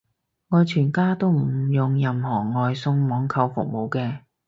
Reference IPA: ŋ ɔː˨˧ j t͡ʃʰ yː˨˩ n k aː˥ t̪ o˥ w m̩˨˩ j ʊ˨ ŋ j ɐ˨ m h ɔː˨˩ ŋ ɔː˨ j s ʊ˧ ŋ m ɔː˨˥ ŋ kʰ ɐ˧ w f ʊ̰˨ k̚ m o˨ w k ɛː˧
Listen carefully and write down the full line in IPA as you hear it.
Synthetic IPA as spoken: ŋ ɔː˨˧ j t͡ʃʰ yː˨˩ n k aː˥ t̪ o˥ w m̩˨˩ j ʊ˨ ŋ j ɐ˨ m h ɔː˨˩ ŋ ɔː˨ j s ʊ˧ ŋ m ɔː˨˥ ŋ kʰ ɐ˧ w f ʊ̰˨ k̚ m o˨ w k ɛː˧